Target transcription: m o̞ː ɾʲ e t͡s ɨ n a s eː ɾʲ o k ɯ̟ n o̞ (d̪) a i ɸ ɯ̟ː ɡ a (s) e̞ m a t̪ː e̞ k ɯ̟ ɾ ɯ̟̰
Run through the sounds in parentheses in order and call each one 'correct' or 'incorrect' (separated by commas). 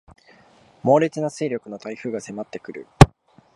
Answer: incorrect, correct